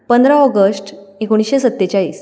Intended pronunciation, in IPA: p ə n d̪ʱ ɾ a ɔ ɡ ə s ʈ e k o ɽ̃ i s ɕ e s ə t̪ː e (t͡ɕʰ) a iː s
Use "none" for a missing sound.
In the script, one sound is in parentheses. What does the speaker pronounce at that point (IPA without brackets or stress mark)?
t͡ɕ